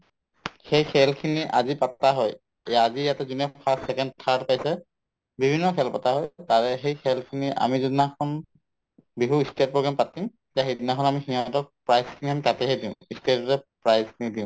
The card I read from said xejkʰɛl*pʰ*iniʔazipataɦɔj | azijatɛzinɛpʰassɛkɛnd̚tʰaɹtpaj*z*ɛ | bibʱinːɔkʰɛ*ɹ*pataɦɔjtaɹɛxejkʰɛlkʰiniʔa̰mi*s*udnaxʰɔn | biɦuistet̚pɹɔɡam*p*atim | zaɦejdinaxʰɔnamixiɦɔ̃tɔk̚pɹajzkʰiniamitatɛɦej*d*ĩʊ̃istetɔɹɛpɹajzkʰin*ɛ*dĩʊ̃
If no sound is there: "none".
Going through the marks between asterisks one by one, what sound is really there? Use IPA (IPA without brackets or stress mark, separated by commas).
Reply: kʰ, s, l, z, p, d, i